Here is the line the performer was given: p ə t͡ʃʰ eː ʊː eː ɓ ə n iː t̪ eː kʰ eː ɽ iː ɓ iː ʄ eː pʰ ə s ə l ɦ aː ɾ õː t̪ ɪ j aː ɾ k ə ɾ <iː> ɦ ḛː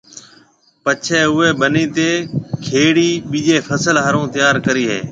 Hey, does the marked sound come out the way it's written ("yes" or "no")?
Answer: yes